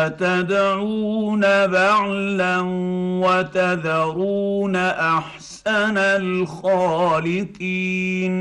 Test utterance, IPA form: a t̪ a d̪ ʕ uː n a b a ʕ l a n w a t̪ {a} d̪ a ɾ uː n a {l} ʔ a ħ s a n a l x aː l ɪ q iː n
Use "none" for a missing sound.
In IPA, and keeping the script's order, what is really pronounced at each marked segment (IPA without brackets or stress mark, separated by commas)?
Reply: a, none